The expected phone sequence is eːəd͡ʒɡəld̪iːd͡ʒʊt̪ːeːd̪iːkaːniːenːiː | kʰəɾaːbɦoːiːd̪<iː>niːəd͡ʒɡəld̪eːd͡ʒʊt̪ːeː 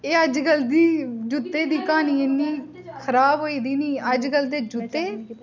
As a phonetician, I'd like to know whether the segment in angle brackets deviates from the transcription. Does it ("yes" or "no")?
no